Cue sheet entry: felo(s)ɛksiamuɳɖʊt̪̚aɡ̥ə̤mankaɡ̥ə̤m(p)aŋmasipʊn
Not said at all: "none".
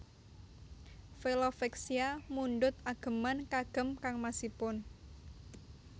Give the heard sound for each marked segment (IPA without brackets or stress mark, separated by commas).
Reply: f, k